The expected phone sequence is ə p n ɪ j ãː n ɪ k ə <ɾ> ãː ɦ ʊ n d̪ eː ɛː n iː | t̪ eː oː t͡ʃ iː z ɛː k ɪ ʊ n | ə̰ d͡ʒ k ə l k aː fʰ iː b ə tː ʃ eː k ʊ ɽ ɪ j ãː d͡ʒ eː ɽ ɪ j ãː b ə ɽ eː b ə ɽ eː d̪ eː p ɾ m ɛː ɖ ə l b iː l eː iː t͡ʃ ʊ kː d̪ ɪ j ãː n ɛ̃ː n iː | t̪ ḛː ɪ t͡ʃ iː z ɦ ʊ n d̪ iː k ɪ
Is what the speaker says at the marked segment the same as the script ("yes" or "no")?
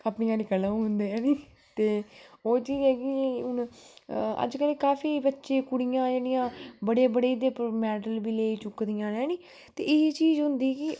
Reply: no